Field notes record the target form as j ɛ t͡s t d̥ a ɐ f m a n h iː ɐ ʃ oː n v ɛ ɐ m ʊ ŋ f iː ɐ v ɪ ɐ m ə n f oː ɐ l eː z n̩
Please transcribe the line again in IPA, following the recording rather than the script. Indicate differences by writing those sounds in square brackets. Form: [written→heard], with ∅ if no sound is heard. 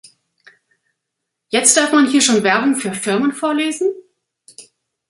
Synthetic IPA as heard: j ɛ t͡s t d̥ a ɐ f m a n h iː ɐ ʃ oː n v ɛ ɐ [m→b] ʊ ŋ f [iː→yː] ɐ [v→f] ɪ ɐ m ə n f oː ɐ l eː z n̩